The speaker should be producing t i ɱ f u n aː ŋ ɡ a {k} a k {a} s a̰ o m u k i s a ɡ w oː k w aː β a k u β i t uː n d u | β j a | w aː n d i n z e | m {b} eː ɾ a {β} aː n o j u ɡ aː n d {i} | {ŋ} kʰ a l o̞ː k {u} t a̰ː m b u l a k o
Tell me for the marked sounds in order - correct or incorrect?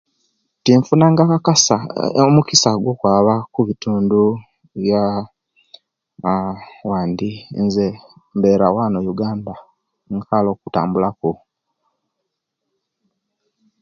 correct, correct, correct, incorrect, incorrect, correct, correct

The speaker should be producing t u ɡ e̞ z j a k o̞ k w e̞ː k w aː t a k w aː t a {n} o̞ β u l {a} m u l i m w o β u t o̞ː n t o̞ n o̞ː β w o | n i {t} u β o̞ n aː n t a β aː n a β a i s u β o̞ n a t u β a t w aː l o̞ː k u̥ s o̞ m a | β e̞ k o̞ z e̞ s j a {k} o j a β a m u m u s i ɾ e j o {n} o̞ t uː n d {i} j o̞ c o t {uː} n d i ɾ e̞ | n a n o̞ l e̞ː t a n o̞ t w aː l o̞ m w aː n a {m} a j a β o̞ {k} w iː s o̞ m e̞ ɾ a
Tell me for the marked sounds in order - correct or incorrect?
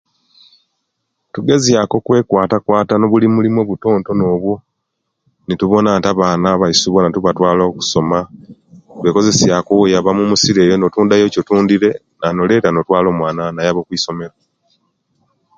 correct, incorrect, correct, correct, correct, incorrect, correct, incorrect, correct

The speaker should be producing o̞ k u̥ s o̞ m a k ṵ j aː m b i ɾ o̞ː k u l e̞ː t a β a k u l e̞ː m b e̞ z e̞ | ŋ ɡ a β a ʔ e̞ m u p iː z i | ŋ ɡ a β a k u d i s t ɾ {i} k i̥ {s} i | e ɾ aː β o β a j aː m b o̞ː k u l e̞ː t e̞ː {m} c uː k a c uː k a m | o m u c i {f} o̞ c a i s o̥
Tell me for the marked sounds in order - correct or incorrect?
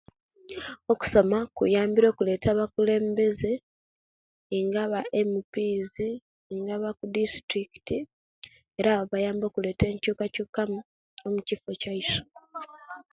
correct, incorrect, incorrect, correct

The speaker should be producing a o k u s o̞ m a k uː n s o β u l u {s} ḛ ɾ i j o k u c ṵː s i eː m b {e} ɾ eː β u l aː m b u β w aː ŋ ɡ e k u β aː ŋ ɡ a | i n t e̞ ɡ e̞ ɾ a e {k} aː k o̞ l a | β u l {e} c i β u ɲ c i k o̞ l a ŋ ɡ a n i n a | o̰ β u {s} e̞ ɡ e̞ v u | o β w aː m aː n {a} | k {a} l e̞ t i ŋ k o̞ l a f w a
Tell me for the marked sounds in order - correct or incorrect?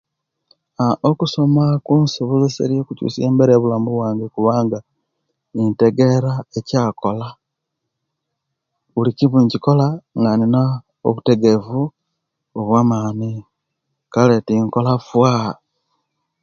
correct, correct, incorrect, incorrect, incorrect, incorrect, correct

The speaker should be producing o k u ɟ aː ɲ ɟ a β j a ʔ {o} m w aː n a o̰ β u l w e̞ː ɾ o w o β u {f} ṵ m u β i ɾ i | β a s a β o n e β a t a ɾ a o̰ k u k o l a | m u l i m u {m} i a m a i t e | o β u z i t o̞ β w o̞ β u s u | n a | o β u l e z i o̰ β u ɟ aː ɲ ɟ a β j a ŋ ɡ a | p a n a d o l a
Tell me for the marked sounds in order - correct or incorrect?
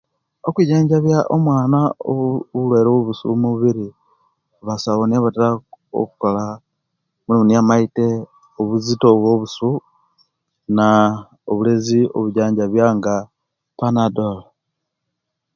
correct, incorrect, incorrect

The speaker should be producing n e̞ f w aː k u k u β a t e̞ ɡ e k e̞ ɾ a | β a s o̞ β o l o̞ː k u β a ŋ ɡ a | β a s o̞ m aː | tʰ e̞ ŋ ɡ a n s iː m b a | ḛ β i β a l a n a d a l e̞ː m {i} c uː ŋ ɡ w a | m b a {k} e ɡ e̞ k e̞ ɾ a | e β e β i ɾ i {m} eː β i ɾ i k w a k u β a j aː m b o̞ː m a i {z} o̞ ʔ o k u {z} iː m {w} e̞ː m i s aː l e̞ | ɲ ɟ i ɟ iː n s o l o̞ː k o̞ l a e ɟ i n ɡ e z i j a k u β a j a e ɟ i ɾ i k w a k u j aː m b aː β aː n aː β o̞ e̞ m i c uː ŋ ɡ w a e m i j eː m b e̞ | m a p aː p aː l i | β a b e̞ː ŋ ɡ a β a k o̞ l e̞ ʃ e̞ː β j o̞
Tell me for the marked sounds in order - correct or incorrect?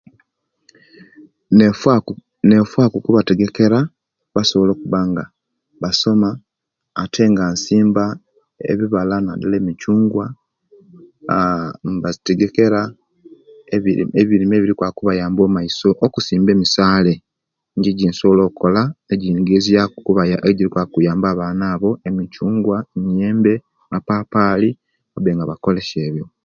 correct, incorrect, correct, incorrect, incorrect, incorrect

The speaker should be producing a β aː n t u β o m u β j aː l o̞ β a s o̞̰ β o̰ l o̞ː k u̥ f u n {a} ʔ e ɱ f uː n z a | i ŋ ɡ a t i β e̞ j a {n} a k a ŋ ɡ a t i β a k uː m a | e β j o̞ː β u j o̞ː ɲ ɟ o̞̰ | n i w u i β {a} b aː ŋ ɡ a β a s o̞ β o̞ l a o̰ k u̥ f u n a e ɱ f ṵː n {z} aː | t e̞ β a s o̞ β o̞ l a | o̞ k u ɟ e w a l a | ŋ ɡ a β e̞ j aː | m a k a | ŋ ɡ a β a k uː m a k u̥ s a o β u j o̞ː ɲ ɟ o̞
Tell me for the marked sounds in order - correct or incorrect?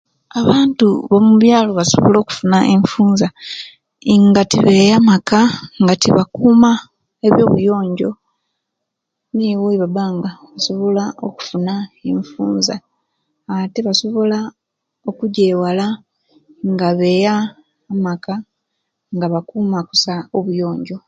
correct, incorrect, correct, correct

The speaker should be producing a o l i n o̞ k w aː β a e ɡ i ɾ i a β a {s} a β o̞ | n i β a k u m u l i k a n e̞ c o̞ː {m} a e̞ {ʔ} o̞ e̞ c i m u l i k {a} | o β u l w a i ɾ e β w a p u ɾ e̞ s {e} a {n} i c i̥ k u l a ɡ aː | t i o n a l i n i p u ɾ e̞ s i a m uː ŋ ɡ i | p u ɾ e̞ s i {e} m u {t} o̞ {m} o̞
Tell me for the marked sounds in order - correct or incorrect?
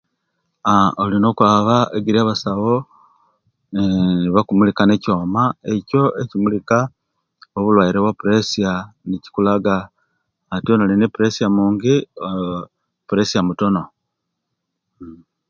correct, correct, incorrect, correct, incorrect, correct, incorrect, correct, incorrect

